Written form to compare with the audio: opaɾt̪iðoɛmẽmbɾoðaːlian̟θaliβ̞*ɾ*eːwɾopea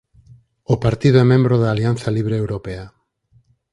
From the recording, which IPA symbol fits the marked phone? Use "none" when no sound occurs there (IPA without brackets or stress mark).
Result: ɾ